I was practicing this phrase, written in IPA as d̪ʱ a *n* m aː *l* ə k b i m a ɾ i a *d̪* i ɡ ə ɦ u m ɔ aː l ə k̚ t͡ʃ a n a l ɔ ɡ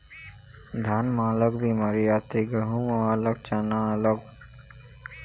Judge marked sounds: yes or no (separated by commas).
yes, yes, no